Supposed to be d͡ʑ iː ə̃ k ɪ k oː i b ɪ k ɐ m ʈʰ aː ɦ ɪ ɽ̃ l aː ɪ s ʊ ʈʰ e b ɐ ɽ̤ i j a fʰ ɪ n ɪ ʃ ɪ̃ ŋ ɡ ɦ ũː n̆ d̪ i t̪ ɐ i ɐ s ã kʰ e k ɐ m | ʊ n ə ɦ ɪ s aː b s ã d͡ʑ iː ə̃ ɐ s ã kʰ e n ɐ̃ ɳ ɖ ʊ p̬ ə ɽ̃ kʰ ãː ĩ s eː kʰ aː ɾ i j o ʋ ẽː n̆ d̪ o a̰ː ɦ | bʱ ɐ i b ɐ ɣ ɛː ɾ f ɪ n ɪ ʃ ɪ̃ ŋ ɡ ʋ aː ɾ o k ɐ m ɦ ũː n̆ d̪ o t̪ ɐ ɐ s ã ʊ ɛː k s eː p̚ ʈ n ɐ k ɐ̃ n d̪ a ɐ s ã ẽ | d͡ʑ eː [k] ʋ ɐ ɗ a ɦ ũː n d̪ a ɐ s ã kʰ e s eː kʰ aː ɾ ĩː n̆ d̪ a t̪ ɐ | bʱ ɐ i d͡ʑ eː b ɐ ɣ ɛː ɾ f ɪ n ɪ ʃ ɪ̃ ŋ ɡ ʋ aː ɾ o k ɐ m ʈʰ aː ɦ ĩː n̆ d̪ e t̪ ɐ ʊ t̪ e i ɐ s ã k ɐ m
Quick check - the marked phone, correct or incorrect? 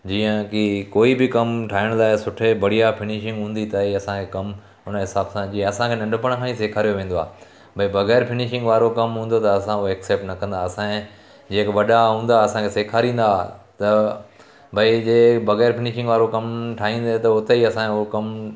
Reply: correct